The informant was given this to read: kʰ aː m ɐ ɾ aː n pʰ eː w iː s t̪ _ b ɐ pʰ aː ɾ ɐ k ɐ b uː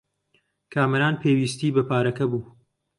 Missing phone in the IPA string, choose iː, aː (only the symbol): iː